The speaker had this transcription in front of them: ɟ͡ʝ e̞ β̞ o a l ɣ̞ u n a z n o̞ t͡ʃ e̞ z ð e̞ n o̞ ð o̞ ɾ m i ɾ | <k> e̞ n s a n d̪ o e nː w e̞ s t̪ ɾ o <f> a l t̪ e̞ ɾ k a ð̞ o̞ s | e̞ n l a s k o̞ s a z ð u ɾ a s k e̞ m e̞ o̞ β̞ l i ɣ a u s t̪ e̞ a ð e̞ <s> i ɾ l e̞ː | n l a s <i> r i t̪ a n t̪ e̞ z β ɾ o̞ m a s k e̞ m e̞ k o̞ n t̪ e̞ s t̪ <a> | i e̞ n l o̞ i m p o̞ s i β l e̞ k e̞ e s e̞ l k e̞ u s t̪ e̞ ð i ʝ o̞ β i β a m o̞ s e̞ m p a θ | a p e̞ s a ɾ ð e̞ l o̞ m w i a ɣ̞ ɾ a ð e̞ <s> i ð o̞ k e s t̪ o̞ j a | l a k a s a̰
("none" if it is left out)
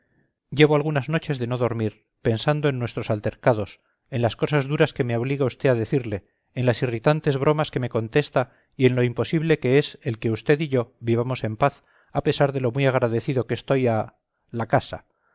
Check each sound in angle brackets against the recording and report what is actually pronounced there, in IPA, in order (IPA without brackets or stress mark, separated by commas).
p, s, θ, i, a, θ